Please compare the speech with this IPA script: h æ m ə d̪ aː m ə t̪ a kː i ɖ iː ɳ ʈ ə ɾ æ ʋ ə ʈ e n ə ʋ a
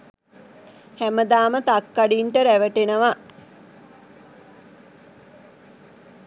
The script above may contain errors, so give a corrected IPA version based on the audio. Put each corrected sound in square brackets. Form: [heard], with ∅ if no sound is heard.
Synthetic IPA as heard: h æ m ə d̪ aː m ə t̪ a kː [a] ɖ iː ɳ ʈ ə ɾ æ ʋ ə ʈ e n ə ʋ a